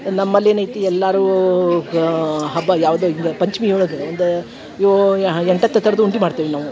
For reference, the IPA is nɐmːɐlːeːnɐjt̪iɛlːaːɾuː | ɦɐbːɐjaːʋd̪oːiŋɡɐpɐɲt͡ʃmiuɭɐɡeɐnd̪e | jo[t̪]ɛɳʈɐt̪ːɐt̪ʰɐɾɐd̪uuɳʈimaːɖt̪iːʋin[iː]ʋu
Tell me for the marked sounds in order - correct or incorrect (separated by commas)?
incorrect, incorrect